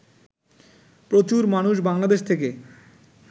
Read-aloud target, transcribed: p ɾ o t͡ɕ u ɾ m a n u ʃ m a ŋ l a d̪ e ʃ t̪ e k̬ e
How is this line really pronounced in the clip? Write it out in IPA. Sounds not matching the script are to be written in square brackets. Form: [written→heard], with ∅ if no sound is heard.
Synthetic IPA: p ɾ o t͡ɕ u ɾ m a n u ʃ [m→b] a ŋ l a d̪ e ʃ [t̪→t̪ʰ] e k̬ e